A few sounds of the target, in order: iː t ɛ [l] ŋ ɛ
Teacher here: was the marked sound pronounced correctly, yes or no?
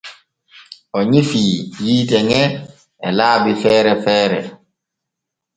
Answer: no